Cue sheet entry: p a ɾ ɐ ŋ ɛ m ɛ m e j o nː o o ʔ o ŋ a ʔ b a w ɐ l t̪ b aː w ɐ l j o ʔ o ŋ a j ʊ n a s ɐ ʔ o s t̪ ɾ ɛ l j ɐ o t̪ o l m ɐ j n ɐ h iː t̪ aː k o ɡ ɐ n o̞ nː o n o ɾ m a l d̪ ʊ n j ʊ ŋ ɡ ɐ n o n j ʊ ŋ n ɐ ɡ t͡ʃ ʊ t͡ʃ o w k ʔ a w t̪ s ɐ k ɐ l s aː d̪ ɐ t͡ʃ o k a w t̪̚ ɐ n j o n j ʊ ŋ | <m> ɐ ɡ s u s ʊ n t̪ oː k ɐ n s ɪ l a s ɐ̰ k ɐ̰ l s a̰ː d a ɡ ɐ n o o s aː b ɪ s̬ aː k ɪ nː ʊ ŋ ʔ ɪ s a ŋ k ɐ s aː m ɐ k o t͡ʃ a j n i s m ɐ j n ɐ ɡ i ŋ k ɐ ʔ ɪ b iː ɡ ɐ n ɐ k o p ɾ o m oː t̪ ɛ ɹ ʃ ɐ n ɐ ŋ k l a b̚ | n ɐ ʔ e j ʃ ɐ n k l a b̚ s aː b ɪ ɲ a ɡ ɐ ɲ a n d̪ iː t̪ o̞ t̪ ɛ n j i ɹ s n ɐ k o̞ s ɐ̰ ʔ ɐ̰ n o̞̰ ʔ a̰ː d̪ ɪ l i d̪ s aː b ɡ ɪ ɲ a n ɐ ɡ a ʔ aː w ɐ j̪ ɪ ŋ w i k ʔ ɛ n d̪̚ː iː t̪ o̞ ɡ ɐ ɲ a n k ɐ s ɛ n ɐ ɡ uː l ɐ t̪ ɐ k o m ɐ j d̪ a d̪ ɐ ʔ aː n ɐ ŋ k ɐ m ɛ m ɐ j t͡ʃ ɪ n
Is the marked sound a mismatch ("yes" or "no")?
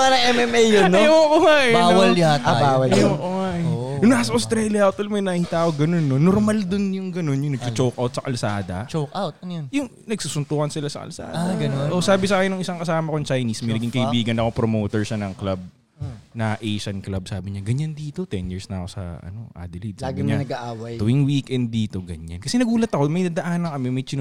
yes